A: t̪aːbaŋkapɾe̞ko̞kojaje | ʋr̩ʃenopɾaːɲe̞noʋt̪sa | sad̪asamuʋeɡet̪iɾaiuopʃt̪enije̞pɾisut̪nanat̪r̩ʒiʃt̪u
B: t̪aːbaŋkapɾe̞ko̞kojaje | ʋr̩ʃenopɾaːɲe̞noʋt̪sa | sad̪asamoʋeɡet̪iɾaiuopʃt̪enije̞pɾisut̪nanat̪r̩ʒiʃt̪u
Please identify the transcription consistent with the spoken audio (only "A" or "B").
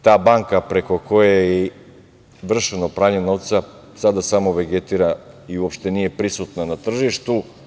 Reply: B